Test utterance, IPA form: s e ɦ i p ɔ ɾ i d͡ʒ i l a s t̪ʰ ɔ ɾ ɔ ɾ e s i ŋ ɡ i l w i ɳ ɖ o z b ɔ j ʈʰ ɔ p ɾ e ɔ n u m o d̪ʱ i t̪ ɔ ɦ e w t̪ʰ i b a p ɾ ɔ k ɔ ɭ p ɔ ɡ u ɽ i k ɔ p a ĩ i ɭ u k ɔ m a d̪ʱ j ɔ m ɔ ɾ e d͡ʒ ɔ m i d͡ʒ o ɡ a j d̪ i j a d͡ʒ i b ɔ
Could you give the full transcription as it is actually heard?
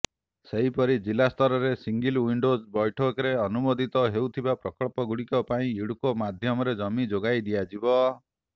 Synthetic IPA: s e ɦ i p ɔ ɾ i d͡ʒ i l a s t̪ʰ ɔ ɾ ɔ ɾ e s i ŋ ɡ i l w i ɳ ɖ o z b ɔ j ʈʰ ɔ k ɾ e ɔ n u m o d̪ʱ i t̪ ɔ ɦ e w t̪ʰ i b a p ɾ ɔ k ɔ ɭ p ɔ ɡ u ɽ i k ɔ p a ĩ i ɽ u k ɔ m a d̪ʱ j ɔ m ɔ ɾ e d͡ʒ ɔ m i d͡ʒ o ɡ a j d̪ i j a d͡ʒ i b ɔ